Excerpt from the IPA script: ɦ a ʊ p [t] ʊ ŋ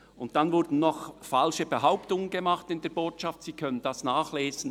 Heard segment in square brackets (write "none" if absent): t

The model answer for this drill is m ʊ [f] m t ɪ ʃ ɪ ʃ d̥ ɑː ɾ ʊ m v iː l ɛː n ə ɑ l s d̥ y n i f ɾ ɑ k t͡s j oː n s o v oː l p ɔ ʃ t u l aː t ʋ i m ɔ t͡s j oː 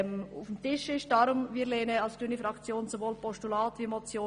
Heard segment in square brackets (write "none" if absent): f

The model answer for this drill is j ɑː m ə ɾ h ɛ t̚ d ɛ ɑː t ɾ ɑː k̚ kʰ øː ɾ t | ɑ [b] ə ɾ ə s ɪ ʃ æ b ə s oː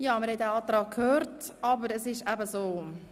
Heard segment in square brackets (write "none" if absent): b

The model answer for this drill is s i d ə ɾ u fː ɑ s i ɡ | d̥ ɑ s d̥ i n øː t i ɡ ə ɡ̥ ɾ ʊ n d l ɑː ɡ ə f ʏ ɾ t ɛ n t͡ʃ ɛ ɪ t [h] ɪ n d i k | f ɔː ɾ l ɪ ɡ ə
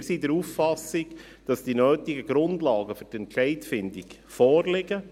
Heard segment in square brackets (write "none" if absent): f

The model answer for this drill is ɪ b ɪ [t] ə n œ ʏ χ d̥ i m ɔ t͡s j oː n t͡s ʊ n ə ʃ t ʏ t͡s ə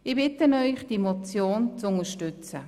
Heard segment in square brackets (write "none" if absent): t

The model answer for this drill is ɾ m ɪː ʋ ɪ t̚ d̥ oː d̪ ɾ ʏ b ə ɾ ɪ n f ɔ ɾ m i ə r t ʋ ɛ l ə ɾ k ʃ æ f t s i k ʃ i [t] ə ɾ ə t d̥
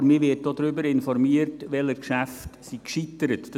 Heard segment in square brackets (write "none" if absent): t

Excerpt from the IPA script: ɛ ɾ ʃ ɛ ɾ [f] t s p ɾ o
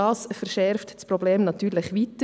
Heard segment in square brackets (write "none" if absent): f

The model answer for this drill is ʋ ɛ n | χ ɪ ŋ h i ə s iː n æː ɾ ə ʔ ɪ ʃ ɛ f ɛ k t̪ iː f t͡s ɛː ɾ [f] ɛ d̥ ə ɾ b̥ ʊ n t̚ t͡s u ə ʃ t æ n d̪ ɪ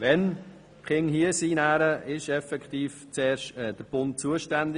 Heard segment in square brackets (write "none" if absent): ʃ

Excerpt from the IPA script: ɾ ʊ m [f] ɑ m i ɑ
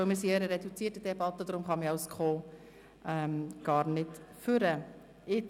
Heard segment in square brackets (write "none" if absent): χ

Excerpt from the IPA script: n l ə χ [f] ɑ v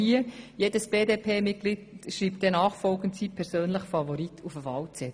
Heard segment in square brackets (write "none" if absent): f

